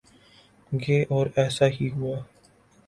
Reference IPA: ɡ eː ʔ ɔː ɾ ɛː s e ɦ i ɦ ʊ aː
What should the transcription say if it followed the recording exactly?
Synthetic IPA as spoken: ɡ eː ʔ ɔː ɾ ɛː s a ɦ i ɦ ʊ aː